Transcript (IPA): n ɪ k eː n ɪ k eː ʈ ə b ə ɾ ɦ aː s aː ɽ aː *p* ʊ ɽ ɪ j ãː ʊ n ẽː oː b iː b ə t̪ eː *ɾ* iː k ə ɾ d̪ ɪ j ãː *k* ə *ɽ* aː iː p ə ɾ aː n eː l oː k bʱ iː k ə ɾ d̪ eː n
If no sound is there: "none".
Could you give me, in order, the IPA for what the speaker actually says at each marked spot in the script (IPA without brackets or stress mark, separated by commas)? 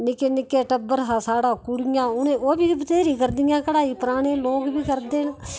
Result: k, ɾ, k, ɽ